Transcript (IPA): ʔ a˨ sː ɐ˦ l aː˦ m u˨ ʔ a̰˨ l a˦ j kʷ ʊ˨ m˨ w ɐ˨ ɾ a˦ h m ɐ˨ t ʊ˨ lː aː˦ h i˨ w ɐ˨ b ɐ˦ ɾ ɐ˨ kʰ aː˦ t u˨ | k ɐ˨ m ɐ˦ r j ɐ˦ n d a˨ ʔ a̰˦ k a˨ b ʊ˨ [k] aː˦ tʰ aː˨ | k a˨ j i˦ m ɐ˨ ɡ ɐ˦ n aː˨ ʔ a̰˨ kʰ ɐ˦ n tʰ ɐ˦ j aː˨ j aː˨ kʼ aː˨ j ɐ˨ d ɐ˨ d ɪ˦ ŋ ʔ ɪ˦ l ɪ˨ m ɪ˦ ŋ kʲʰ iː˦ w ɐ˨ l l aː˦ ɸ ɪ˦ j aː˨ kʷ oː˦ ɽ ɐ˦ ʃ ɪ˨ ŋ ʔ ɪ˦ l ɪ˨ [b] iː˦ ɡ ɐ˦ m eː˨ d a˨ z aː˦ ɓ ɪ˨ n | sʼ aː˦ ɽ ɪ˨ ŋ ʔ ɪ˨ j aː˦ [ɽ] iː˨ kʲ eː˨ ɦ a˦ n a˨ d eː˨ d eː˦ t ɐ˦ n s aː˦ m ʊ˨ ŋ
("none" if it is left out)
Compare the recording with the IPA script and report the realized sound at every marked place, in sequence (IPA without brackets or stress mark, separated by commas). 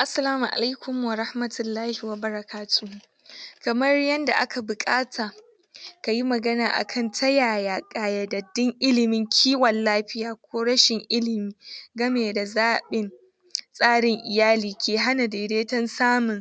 kʼ, m, l